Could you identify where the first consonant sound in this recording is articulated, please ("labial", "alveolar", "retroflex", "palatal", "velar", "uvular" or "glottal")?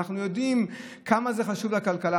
uvular